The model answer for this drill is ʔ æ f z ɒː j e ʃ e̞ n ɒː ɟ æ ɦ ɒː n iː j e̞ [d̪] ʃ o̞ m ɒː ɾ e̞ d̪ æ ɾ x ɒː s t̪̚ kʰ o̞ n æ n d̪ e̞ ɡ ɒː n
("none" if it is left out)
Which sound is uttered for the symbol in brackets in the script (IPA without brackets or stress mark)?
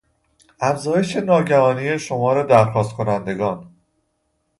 none